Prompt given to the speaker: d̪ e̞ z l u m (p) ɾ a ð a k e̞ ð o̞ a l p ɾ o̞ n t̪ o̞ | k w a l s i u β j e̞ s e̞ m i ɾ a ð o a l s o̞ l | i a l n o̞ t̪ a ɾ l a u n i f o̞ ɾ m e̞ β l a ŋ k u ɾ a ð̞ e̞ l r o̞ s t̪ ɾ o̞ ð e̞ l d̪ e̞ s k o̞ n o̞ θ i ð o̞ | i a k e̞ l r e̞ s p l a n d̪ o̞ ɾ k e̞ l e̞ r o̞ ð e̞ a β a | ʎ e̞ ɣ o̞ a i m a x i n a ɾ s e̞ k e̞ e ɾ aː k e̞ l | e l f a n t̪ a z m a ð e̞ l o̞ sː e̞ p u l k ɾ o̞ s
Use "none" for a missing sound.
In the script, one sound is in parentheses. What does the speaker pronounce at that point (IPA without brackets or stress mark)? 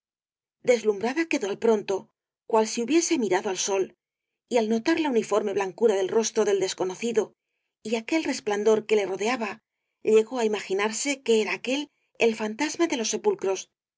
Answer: b